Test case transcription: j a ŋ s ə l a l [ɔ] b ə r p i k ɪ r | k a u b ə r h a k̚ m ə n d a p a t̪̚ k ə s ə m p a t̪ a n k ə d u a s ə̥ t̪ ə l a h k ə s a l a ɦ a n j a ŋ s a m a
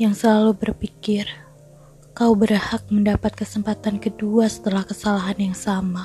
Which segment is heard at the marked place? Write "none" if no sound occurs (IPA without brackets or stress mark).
u